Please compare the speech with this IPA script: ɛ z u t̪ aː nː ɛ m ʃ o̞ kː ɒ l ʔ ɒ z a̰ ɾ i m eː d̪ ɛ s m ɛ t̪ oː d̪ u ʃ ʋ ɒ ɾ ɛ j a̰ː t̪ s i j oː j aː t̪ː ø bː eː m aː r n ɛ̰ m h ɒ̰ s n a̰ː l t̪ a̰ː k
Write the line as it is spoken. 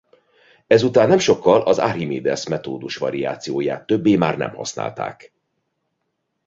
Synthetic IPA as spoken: ɛ z u t̪ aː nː ɛ m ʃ o̞ kː ɒ l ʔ ɒ z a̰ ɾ i m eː d̪ ɛ s m ɛ t̪ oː d̪ u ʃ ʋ ɒ ɾ i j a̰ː t̪ s i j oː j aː t̪ː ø bː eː m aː r n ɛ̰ m h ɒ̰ s n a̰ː l t̪ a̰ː k

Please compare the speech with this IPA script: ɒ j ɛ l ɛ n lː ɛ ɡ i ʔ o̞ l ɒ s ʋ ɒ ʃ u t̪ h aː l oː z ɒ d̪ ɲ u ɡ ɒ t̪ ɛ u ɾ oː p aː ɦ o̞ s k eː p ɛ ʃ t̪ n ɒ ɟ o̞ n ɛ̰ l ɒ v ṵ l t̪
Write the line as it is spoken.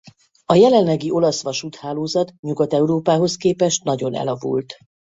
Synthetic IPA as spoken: ɒ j ɛ l ɛ n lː ɛ ɡ i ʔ o̞ l ɒ s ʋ ɒ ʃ u t̪ h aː l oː z ɒ t̪ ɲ u ɡ ɒ t̪ ɛ u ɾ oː p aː ɦ o̞ s k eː p ɛ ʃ t̪ n ɒ ɟ o̞ n ɛ̰ l ɒ v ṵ l t̪

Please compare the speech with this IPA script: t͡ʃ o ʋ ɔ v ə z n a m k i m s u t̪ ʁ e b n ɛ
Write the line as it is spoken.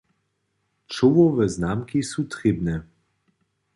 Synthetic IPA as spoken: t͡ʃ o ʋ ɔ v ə z n a m k i s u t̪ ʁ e b n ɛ

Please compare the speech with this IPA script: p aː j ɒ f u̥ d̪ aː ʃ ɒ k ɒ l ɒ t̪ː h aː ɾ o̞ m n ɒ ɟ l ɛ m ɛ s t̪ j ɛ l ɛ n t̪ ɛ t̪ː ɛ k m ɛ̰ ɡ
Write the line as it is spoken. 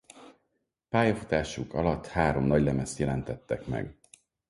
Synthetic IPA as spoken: p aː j ɒ f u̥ t̪ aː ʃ u k ɒ l ɒ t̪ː h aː ɾ o̞ m n ɒ ɟ l ɛ m ɛ s t̪ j ɛ l ɛ n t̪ ɛ t̪ː ɛ k m ɛ̰ ɡ

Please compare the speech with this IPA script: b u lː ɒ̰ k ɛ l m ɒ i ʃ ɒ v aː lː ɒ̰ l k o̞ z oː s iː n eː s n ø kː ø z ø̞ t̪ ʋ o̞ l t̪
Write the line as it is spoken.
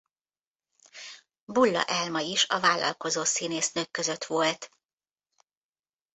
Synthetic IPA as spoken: b u lː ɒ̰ ʔ ɛ l m ɒ i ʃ ɒ v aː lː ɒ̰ l k o̞ z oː s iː n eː s n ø kː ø z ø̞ t̪ ʋ o̞ l t̪

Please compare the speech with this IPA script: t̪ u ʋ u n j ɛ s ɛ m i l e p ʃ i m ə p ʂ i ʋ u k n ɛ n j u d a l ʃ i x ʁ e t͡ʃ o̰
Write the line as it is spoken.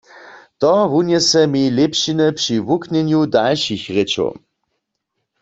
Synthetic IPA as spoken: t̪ ɔ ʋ u n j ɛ s ɛ m i l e p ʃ i n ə p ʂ i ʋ u k n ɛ n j u d a l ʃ i x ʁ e t͡ʃ o̰

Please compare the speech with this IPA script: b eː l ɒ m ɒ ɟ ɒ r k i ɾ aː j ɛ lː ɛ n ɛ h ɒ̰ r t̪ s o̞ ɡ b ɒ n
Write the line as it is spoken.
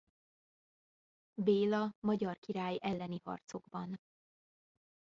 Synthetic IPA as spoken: b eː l ɒ m ɒ ɟ ɒ r k i ɾ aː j ɛ lː ɛ n i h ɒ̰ r t̪ s o̞ ɡ b ɒ n

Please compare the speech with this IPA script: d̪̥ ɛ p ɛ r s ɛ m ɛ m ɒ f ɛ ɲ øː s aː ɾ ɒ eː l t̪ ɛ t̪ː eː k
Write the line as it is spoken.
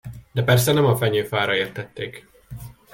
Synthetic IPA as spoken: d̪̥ ɛ p ɛ r s ɛ n ɛ m ɒ f ɛ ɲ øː f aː ɾ ɒ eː r t̪ ɛ t̪ː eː k

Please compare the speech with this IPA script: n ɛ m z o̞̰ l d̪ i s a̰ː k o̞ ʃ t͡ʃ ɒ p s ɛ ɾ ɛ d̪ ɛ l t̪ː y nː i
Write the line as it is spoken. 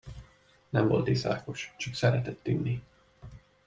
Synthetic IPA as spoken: n ɛ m v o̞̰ l t̪ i s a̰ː k o̞ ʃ t͡ʃ ɒ k s ɛ ɾ ɛ t̪ ɛ t̪ː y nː i

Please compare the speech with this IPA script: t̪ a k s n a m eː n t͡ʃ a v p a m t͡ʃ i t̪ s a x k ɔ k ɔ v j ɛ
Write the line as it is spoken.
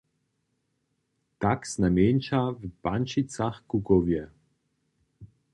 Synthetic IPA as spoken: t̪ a k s n a m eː n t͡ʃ a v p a n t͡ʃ i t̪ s a x k u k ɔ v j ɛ

